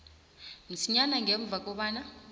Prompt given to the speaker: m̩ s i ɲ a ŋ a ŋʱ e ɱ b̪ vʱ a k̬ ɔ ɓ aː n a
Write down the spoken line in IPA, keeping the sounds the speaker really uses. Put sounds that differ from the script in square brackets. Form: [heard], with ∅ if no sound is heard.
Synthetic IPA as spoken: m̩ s i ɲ a [n] a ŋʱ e ɱ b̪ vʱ a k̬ ɔ ɓ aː n a

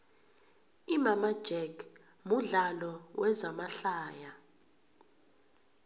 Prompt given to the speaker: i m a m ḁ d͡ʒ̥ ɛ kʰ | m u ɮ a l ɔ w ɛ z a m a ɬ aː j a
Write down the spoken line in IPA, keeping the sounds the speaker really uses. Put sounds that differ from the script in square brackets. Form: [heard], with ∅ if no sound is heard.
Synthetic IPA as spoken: i m a m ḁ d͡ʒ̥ ɛ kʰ | m u ɮ a l ɔ w ɛ z a m a ɬ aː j a

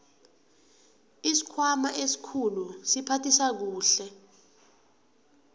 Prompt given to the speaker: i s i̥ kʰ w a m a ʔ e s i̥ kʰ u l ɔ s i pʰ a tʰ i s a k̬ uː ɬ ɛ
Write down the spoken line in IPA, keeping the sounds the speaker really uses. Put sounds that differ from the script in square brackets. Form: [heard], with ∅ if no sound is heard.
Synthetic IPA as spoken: i s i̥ kʰ w a m a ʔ e s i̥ kʰ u l [u] s i pʰ a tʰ i s a k̬ uː ɬ ɛ

